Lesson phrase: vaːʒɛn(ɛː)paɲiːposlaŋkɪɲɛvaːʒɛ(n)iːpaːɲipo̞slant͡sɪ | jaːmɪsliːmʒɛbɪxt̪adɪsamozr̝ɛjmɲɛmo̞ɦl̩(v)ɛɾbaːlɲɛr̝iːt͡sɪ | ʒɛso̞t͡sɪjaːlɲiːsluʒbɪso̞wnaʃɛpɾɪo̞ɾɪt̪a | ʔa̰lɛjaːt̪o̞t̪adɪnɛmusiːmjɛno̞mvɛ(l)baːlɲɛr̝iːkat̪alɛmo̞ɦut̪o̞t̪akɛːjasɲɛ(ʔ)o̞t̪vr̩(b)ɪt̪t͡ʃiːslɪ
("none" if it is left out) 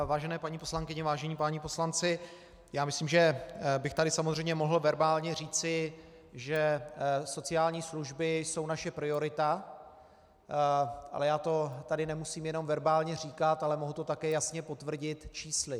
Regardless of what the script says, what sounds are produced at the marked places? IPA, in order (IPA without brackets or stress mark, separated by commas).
ɛː, ɲ, v, ɾ, p, ɟ